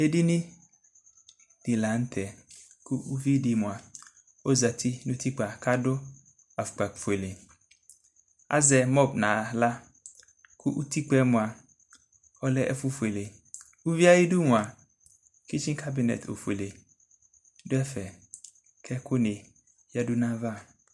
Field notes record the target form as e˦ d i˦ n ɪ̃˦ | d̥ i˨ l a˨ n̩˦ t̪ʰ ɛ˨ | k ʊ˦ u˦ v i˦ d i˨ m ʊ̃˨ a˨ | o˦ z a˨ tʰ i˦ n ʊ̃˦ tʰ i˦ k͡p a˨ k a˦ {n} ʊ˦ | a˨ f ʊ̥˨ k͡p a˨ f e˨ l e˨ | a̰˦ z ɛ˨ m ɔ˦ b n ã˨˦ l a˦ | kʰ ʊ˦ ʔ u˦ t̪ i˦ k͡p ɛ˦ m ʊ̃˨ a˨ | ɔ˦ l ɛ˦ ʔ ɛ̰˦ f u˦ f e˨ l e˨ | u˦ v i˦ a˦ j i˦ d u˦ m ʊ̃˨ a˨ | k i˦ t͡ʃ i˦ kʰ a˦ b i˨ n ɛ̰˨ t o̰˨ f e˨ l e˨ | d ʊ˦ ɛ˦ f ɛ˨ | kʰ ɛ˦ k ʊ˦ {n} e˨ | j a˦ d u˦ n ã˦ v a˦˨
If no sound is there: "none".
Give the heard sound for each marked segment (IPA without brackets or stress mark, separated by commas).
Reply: d, n